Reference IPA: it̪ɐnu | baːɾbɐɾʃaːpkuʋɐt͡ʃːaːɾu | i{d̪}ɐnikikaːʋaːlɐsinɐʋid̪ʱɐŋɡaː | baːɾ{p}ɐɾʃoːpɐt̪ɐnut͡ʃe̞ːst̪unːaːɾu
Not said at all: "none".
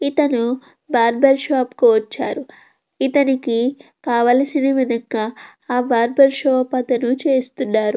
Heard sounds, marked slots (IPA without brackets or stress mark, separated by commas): t̪, b